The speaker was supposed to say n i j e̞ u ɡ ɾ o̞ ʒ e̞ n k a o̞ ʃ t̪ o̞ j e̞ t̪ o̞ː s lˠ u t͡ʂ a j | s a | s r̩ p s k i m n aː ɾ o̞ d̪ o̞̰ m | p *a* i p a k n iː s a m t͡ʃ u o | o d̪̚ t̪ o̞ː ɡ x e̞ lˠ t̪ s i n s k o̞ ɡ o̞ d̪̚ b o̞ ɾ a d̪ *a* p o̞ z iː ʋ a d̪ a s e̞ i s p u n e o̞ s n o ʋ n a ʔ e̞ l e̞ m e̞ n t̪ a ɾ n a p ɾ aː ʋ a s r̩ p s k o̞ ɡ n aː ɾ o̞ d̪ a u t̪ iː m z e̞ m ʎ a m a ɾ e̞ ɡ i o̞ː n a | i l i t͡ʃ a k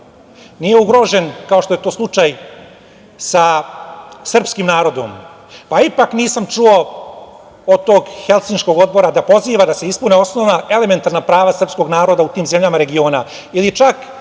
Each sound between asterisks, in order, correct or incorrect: correct, correct

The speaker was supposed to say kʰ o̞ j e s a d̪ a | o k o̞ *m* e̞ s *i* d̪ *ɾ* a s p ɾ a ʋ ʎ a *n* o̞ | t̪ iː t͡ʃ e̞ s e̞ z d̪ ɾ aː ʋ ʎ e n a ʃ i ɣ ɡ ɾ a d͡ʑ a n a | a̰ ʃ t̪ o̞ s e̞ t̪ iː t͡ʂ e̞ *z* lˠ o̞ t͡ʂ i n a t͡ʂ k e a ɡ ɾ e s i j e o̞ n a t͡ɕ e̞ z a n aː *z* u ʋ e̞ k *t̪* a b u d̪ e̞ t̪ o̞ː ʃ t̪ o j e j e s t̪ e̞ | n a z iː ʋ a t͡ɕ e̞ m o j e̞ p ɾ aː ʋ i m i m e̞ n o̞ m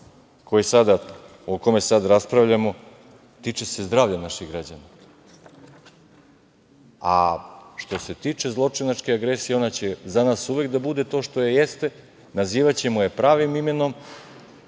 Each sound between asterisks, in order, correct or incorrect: correct, incorrect, correct, incorrect, correct, incorrect, incorrect

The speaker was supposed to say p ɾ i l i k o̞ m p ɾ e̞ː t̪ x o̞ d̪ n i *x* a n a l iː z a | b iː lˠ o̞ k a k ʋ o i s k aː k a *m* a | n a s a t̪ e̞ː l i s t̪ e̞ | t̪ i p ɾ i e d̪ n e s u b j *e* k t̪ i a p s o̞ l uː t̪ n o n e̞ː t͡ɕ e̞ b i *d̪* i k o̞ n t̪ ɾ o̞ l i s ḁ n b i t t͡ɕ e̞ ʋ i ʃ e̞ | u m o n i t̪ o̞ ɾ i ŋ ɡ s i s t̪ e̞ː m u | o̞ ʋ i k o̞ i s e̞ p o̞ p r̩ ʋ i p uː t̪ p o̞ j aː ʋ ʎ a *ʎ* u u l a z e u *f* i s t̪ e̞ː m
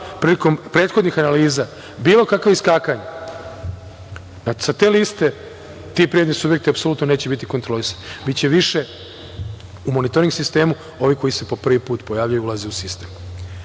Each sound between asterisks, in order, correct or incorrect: correct, incorrect, correct, incorrect, incorrect, incorrect

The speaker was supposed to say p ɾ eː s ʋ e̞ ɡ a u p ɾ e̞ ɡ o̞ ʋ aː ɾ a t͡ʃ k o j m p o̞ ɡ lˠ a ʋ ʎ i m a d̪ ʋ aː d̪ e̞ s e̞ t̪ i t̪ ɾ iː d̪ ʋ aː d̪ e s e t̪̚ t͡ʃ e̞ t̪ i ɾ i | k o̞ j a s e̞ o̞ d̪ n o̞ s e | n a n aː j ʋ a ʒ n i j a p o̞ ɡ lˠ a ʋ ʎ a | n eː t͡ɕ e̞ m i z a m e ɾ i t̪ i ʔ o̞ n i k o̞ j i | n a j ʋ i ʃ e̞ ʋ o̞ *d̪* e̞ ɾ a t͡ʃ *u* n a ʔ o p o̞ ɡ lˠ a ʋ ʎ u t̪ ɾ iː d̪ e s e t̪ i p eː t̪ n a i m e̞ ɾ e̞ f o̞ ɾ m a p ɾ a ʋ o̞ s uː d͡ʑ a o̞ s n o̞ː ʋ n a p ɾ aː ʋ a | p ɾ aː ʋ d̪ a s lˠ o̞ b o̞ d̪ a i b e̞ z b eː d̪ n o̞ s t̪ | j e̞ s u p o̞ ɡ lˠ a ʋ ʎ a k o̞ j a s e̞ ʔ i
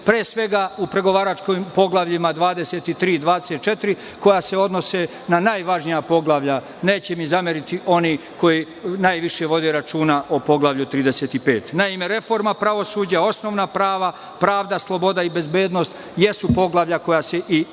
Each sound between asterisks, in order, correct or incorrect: correct, incorrect

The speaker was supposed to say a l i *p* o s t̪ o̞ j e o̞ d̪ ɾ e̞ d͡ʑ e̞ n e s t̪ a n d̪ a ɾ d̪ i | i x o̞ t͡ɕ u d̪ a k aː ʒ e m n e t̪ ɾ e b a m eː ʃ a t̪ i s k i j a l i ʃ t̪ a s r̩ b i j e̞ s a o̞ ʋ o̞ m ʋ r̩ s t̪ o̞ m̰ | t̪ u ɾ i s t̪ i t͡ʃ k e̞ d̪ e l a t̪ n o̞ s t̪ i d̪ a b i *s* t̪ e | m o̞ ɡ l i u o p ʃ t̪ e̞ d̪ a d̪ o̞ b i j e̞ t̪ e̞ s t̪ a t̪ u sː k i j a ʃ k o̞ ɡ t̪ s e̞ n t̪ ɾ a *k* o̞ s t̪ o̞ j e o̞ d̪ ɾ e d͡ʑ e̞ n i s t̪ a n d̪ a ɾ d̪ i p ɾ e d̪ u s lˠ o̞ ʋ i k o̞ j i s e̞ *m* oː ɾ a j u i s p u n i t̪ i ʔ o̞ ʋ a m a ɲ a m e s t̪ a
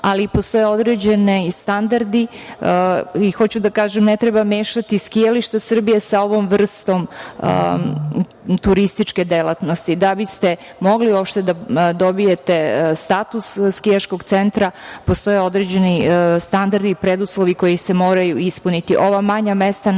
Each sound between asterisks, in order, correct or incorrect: correct, correct, incorrect, correct

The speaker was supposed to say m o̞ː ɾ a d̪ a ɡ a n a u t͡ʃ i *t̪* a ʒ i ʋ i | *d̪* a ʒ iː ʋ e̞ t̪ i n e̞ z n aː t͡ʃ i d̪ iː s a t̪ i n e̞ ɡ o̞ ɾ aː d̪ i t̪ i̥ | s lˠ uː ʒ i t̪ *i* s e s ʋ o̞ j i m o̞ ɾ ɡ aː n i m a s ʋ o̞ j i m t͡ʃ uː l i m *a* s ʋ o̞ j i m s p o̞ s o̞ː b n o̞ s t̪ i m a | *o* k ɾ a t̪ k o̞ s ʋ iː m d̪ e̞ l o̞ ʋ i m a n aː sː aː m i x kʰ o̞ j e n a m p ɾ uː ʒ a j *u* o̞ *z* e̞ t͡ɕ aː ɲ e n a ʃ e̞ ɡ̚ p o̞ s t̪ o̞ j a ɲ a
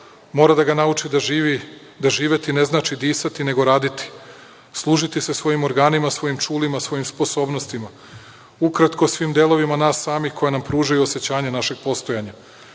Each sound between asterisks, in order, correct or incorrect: incorrect, correct, correct, correct, incorrect, correct, incorrect

